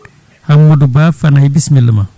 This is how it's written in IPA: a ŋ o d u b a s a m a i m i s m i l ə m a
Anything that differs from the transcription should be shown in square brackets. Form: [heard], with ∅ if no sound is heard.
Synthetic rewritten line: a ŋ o d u b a [f] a [n] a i [b] i s m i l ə m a

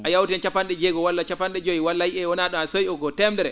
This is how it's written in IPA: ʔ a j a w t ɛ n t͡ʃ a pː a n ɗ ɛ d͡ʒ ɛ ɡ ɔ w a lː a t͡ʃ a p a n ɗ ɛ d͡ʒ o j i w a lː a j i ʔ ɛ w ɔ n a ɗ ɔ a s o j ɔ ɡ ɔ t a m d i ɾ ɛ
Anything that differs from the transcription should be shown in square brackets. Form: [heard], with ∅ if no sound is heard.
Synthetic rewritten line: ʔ a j a w t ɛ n t͡ʃ a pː a n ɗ ɛ d͡ʒ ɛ ɡ ɔ w a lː a t͡ʃ a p a n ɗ ɛ d͡ʒ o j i w a lː a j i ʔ ɛ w ɔ n a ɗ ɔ a s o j ɔ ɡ ɔ t [ɛ] m d [ɛ] ɾ ɛ

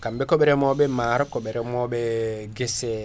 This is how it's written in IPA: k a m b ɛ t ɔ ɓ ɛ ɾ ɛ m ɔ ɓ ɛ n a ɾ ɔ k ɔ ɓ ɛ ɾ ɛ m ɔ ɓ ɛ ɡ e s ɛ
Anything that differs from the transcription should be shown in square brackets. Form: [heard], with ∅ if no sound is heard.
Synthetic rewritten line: k a m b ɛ [k] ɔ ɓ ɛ ɾ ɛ m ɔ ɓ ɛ [m] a ɾ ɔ k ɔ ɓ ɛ ɾ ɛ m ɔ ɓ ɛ ɡ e s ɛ

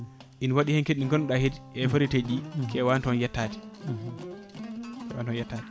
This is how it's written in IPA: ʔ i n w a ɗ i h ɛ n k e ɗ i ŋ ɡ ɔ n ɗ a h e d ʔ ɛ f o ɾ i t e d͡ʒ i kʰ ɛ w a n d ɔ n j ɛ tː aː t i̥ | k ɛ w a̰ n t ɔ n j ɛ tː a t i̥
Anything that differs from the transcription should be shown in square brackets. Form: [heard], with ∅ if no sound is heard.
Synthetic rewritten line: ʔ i n w a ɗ i h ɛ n k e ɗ i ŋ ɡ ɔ n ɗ a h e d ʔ ɛ f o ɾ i t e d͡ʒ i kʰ ɛ w a n [t] ɔ n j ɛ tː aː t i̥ | k ɛ w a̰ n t ɔ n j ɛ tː a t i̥

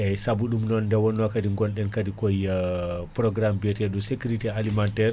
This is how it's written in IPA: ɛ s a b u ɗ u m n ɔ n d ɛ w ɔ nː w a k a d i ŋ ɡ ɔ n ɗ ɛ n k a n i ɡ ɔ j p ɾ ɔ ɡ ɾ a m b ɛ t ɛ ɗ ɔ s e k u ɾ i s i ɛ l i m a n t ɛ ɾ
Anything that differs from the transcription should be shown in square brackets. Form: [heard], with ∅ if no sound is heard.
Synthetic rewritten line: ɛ s a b u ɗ u m n ɔ n d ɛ w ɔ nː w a k a d i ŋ ɡ ɔ n ɗ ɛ n k a [d] i [k] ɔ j p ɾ ɔ ɡ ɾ a m b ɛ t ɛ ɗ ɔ s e k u ɾ i [t] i [a] l i m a n t ɛ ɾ

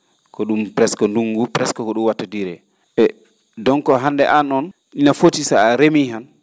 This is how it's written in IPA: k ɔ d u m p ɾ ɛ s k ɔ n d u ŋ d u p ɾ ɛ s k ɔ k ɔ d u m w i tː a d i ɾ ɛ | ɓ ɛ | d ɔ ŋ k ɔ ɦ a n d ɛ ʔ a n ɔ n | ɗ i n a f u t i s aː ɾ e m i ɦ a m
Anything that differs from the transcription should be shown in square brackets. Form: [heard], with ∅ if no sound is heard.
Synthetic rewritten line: k ɔ [ɗ] u m p ɾ ɛ s k ɔ n d u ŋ [ɡ] u p ɾ ɛ s k ɔ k ɔ [ɗ] u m w [a] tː a d i ɾ ɛ | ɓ ɛ | d ɔ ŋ k ɔ ɦ a n d ɛ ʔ a n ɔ n | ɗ i n a f [o] t i s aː ɾ e m i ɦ a [n]

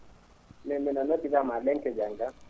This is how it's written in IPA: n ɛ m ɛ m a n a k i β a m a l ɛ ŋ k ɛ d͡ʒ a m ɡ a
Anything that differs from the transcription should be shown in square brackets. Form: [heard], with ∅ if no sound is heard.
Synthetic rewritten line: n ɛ m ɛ [n] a n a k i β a m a l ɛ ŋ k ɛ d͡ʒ a [ŋ] ɡ a

